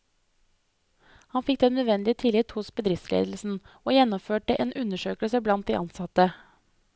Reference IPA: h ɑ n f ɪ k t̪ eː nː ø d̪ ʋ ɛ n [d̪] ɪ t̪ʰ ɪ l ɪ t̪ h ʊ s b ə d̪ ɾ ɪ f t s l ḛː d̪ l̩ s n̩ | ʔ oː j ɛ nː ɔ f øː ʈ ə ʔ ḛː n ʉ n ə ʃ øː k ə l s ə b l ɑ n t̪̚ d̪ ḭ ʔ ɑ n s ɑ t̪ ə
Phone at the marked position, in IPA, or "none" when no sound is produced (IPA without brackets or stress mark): d̪